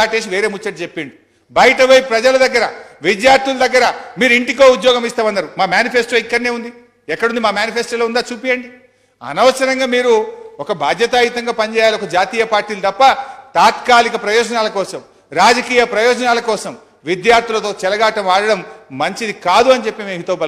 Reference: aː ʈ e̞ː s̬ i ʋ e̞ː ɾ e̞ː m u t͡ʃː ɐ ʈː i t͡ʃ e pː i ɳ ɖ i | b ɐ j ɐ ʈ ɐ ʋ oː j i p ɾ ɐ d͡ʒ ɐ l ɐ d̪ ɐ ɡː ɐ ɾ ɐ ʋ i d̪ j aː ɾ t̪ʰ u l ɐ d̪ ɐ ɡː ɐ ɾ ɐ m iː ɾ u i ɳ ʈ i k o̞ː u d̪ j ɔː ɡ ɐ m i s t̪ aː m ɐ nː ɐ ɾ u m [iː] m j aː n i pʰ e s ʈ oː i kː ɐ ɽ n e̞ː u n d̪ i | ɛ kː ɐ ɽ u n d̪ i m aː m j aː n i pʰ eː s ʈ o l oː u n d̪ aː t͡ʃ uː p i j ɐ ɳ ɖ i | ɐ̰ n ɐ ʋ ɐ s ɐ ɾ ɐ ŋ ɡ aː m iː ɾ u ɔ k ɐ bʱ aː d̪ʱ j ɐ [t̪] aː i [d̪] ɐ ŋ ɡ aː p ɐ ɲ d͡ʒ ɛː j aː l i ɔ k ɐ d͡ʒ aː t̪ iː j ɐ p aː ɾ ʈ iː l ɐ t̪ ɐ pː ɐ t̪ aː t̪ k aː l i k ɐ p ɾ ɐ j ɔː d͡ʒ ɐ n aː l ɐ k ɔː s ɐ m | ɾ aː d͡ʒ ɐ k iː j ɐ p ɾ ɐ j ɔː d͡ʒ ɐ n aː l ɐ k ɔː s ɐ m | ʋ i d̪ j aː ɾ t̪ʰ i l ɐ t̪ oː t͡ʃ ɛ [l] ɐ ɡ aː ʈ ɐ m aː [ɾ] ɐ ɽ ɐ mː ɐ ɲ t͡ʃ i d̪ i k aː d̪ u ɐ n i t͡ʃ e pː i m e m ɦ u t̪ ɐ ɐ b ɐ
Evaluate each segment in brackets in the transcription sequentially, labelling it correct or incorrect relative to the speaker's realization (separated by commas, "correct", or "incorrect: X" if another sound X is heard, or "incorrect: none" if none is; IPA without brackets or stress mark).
incorrect: aː, correct, incorrect: t̪, correct, incorrect: ɽ